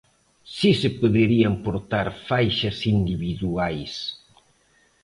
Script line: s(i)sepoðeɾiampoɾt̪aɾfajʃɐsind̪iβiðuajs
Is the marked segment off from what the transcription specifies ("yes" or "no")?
no